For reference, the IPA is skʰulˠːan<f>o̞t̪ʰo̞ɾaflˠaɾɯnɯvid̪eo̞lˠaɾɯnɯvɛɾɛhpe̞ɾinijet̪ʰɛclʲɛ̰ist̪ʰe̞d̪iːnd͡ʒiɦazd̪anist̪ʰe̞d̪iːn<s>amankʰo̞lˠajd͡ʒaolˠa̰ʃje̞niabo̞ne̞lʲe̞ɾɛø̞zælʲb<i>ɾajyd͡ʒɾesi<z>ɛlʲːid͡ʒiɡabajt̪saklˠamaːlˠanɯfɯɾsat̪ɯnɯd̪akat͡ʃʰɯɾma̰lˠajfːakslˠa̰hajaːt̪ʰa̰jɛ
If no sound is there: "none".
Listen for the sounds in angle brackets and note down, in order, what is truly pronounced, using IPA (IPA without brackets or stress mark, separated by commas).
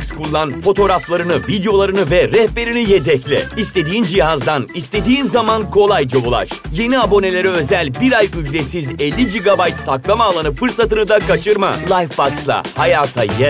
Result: f, z, i, z